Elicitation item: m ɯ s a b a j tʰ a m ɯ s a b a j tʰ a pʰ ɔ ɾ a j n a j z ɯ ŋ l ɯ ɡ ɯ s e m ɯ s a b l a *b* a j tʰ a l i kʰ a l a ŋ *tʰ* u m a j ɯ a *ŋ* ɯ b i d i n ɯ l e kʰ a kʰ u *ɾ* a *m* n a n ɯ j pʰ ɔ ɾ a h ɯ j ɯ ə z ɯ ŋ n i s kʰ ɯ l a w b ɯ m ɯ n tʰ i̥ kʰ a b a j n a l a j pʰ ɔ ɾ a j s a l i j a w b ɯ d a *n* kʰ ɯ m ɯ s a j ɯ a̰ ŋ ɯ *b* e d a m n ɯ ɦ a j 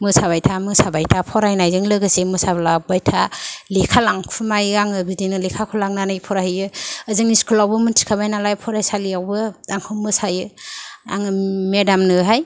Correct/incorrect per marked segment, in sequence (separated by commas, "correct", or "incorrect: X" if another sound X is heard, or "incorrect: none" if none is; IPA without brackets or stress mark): correct, incorrect: kʰ, correct, incorrect: l, incorrect: ŋ, incorrect: ŋ, incorrect: m